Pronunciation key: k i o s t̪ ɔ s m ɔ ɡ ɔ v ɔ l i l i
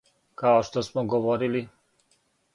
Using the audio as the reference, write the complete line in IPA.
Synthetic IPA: k a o ʃ t̪ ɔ s m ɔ ɡ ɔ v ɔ ɾ i l i